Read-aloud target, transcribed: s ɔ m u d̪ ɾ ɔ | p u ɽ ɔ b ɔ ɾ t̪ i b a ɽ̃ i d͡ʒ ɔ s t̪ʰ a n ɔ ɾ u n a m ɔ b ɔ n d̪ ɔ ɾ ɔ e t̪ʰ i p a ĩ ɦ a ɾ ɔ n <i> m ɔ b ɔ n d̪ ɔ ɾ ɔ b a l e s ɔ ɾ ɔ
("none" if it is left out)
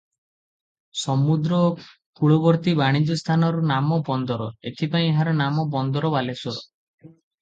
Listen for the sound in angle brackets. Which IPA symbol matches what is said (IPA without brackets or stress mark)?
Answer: a